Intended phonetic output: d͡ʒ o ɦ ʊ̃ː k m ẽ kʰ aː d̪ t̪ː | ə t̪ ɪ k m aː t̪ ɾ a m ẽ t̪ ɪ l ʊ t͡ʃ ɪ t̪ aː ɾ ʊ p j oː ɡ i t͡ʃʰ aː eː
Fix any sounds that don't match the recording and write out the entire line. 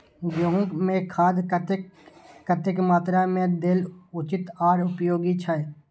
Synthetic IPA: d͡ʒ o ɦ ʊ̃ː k m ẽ kʰ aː d̪ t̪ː | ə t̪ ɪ k m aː t̪ ɾ a m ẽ d̪ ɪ l ʊ t͡ʃ ɪ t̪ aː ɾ ʊ p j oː ɡ i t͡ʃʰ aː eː